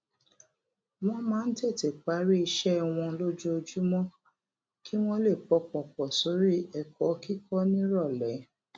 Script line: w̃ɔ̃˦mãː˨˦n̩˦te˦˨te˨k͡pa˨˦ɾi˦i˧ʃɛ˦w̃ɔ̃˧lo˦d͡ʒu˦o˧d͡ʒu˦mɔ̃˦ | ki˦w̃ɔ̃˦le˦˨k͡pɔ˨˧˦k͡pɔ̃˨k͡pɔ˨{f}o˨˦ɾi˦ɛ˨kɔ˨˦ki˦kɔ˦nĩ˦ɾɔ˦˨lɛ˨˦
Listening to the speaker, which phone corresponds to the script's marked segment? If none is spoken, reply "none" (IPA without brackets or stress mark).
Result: s